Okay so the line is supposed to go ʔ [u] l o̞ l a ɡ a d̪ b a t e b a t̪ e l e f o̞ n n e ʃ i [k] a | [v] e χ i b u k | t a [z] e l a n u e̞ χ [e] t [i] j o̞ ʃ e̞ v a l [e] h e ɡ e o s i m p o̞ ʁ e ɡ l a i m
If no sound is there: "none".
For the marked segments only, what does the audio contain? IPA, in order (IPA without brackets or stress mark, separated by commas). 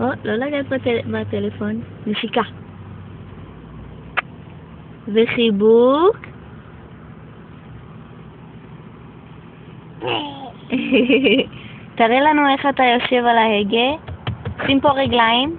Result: o, k, v, ʁ, a, a, a